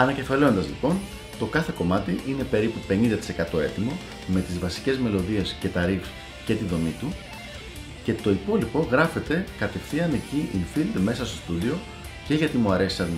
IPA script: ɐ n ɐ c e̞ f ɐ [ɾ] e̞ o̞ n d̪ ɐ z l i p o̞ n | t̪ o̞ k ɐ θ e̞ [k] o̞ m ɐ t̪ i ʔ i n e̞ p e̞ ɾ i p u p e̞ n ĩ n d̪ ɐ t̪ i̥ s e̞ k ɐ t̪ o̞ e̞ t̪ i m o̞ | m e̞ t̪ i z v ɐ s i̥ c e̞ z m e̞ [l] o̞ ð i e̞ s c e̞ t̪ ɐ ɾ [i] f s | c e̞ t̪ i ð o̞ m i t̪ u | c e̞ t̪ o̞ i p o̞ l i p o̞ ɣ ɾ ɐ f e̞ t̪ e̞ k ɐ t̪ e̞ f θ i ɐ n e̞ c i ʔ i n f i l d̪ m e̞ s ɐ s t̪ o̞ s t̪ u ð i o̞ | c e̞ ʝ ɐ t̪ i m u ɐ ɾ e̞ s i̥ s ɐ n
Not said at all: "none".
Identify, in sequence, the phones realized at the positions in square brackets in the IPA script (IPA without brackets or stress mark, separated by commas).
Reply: l, k, l, i